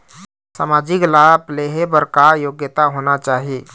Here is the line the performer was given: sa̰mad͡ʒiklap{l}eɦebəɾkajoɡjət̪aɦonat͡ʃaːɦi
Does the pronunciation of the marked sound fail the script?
no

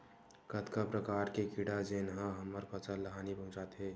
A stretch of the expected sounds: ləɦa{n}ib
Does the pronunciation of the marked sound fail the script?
no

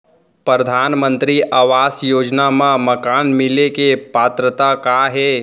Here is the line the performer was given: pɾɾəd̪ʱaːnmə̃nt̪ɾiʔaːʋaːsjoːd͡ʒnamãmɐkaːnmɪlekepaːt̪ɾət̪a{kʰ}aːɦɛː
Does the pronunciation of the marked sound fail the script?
yes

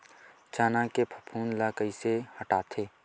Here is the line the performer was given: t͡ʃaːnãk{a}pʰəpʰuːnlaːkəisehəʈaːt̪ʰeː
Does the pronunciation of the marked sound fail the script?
yes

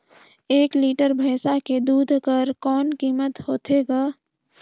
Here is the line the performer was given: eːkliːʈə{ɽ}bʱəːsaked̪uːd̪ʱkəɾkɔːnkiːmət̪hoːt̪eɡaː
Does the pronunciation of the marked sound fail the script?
yes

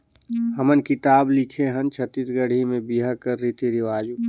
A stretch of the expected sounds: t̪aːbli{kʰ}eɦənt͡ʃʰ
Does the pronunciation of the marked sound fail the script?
no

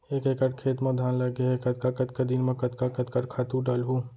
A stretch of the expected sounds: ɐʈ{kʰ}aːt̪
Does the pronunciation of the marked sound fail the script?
no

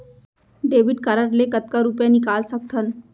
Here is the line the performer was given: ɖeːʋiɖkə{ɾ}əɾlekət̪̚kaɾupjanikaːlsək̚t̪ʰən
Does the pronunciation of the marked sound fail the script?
no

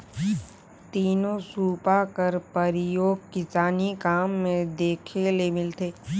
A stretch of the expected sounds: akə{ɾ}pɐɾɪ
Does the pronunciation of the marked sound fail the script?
no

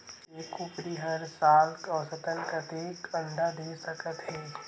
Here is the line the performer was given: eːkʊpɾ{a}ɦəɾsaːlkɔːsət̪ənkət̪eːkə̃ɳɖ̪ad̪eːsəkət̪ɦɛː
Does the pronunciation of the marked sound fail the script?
yes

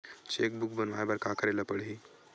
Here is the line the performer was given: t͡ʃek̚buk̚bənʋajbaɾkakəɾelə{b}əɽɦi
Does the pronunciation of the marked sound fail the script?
yes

